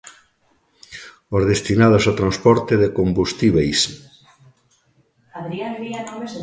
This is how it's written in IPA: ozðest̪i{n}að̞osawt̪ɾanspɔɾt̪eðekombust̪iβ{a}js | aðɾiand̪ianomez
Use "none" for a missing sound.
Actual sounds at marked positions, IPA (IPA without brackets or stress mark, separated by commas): n, e